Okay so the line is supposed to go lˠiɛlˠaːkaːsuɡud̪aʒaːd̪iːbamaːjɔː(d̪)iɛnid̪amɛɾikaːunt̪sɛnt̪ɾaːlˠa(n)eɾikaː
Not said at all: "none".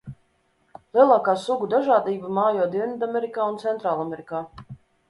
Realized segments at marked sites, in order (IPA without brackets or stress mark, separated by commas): d̪, m